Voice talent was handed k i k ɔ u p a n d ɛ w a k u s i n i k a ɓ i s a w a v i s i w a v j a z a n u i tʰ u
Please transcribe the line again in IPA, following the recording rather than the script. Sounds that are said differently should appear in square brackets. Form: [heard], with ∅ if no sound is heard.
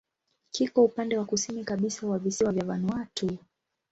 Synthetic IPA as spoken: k i k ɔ u p a n d ɛ w a k u s i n i k a ɓ i s a w a v i s i w a v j a [v] a n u [a] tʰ u